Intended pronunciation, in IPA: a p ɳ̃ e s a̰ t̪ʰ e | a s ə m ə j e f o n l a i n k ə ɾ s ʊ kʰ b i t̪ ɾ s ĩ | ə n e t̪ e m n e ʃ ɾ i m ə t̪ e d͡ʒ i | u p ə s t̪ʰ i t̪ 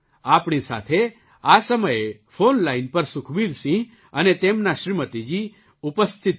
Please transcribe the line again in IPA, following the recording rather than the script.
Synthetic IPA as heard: a p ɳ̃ i s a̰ t̪ʰ e | a s ə m ə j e f o n l a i n p ə ɾ s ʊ kʰ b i ɾ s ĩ | ə n e t̪ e m n a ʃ ɾ i m ə t̪ i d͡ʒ i | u p ə s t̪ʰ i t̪